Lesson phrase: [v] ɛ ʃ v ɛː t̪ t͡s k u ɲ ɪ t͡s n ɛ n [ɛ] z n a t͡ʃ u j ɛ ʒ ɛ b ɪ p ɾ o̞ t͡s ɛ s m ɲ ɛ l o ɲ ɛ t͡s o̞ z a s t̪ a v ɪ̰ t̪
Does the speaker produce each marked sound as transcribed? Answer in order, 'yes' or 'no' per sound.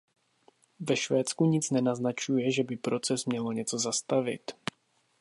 yes, no

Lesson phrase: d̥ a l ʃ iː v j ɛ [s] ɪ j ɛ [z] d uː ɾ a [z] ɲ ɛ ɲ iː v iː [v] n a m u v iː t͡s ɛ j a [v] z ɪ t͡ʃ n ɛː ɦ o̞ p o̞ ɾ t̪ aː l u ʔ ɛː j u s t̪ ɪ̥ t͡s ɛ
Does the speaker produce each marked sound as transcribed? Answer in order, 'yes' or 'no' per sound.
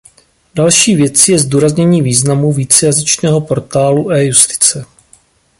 no, yes, yes, no, no

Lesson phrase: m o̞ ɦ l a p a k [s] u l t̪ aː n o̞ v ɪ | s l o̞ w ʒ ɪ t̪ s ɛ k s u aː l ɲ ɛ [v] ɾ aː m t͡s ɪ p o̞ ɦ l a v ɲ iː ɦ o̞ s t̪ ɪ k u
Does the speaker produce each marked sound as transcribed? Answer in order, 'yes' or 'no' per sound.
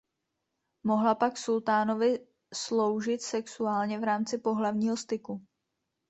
yes, yes

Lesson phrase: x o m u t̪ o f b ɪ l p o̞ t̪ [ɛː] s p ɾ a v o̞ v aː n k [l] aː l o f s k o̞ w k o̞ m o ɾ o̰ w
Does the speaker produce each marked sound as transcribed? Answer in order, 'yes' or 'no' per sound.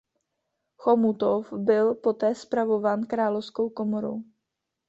yes, no

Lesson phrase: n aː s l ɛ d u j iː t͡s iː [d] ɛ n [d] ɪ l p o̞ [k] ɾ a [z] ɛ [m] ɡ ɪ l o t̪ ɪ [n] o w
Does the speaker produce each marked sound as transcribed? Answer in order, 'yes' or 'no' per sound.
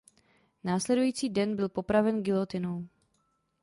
yes, no, no, no, no, yes

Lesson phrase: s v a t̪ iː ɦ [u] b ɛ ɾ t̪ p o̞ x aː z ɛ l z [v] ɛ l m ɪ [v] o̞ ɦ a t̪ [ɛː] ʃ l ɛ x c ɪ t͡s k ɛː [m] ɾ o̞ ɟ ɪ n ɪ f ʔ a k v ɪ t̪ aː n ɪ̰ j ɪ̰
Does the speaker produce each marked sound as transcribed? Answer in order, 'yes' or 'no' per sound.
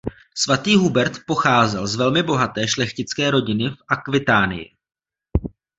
yes, yes, no, yes, no

